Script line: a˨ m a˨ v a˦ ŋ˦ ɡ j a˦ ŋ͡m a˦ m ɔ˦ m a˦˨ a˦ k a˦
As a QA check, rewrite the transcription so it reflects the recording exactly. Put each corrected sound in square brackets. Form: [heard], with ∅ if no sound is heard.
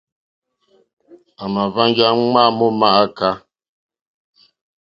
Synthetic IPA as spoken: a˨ m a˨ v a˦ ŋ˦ ɡ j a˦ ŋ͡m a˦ m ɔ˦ m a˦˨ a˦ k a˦